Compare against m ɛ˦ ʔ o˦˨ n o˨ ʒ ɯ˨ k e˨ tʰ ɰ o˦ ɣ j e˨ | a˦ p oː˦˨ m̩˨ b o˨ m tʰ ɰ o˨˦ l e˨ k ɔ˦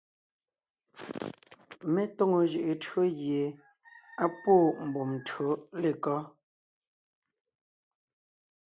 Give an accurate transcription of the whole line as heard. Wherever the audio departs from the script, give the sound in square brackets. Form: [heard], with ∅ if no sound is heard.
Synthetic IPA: m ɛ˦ [t] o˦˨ [ŋ] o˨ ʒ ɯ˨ [ʔ] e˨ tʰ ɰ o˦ ɣ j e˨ | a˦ p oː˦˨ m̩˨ b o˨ m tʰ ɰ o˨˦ l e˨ k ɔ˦